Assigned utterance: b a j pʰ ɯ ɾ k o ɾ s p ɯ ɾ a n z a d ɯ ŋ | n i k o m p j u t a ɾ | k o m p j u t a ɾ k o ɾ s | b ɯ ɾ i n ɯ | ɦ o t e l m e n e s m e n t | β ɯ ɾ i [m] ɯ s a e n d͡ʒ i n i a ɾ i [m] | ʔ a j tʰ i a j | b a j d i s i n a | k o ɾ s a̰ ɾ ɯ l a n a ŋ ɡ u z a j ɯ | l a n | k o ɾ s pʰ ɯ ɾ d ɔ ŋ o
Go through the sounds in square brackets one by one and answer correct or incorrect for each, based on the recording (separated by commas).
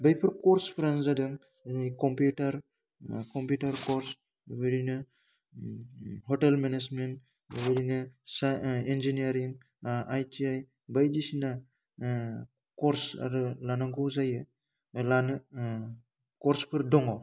incorrect, incorrect